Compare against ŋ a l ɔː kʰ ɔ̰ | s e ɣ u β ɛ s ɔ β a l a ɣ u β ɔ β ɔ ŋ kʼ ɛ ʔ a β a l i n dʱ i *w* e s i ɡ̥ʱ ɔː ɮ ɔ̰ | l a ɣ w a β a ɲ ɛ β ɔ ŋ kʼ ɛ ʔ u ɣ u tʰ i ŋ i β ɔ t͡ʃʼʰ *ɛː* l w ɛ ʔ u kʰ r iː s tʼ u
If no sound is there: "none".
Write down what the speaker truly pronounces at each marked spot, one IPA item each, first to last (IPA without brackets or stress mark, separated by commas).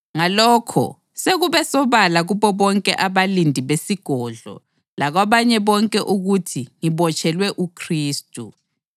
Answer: β, ɛ